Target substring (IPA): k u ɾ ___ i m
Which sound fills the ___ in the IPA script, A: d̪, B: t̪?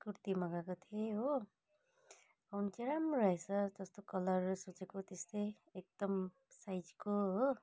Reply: B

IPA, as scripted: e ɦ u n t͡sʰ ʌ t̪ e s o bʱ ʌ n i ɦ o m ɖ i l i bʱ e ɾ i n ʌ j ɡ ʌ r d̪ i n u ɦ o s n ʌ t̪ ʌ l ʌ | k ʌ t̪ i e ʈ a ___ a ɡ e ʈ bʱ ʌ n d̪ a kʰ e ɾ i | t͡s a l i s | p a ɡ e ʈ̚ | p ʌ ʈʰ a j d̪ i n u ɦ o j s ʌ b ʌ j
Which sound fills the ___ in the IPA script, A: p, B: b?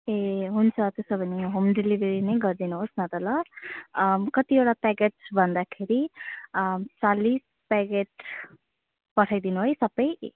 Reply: A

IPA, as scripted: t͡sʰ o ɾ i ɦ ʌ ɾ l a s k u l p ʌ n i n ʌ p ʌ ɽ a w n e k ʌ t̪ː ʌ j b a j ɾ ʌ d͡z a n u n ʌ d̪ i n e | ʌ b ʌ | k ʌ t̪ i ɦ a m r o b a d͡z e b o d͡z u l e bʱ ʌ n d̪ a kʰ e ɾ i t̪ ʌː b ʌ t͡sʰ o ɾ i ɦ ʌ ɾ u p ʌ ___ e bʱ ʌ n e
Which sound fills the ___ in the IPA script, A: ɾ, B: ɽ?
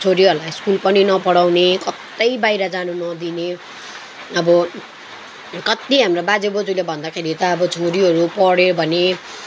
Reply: B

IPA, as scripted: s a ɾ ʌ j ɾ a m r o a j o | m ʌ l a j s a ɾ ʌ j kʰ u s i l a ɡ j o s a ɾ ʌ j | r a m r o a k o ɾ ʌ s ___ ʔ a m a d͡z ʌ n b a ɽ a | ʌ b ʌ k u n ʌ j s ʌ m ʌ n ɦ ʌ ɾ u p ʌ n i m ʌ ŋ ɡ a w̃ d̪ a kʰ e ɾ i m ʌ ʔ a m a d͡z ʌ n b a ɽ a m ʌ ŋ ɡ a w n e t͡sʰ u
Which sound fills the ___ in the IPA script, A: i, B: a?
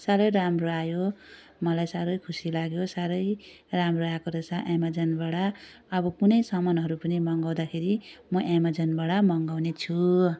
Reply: B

